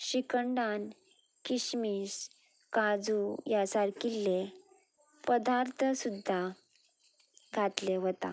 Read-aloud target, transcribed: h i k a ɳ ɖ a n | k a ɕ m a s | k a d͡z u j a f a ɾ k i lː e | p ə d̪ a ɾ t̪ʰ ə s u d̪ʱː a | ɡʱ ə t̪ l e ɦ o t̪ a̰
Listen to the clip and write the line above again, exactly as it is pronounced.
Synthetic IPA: ɕ i k ə ɳ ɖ a n | k i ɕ m i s | k a d͡z u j a s a ɾ k i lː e | p ə d̪ a ɾ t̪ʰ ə s u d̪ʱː a | ɡʱ a t̪ l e ɦ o t̪ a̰